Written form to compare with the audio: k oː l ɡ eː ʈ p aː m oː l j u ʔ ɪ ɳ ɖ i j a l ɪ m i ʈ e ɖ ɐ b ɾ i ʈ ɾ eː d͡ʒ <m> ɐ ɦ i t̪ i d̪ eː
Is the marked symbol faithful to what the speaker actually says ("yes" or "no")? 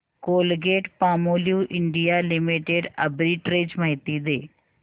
yes